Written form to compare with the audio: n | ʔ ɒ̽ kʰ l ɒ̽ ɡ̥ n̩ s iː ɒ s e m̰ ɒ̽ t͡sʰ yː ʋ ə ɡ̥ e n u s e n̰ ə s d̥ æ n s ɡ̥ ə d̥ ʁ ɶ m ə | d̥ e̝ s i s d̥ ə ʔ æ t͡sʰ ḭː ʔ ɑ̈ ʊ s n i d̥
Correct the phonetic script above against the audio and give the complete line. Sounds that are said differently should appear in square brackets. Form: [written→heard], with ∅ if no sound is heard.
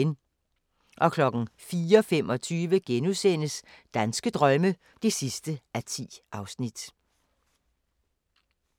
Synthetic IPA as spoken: n | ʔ ɒ̽ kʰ l ɒ̽ ɡ̥ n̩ [s→f] iː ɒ [s→f] e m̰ ɒ̽ t͡sʰ yː ʋ ə ɡ̥ e n u s e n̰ ə s d̥ æ n s ɡ̥ ə d̥ ʁ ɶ m ə | d̥ e̝ s i s d̥ ə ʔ æ t͡sʰ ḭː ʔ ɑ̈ ʊ s n i d̥